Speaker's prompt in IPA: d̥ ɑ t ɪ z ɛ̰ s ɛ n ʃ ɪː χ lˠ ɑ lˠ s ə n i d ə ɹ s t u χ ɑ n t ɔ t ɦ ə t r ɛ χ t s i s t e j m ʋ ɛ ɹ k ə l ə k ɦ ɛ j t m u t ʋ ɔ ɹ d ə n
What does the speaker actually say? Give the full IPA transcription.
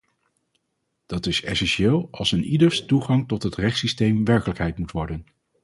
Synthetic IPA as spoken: d̥ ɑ t ɪ s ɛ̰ s ɛ n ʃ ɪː lˠ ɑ lˠ s ə n i d ə ɹ s t u χ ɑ ŋ t ɔ t ɦ ə t r ɛ χ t s i s t e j m ʋ ɛ ɹ k ə l ə k ɦ ɛ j t m u t ʋ ɔ ɹ d ə n